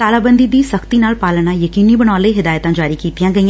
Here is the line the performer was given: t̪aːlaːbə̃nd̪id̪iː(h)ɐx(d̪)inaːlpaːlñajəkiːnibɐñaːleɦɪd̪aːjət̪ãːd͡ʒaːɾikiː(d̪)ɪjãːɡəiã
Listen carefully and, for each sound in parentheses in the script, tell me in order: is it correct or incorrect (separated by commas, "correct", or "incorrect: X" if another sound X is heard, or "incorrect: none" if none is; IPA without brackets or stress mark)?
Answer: incorrect: s, incorrect: t̪, incorrect: t̪